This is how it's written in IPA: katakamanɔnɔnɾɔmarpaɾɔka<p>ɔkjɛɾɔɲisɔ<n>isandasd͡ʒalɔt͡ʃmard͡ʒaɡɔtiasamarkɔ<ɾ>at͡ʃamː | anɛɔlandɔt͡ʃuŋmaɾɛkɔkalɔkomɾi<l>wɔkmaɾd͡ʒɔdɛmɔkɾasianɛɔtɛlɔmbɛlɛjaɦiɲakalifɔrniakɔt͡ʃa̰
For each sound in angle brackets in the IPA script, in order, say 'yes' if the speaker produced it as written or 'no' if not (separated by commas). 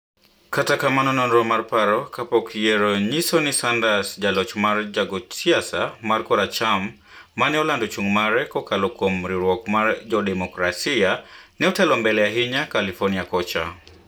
yes, yes, yes, no